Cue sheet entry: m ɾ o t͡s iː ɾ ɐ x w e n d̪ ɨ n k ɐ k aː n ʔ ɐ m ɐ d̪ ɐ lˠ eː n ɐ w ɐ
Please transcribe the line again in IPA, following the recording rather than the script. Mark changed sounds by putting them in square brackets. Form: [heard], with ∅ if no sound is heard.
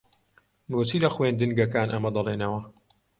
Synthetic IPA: m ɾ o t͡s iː [l] ɐ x w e n d̪ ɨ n [ɡ] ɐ k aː n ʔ ɐ m ɐ d̪ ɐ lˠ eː n ɐ w ɐ